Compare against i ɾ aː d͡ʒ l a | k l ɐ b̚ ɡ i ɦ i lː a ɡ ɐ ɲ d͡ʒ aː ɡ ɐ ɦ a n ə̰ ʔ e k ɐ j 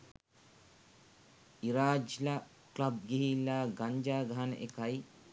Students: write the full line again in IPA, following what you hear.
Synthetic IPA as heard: i ɾ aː d͡ʒ l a | k l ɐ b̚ ɡ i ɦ i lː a ɡ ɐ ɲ d͡ʒ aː ɡ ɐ ɦ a n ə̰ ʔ e k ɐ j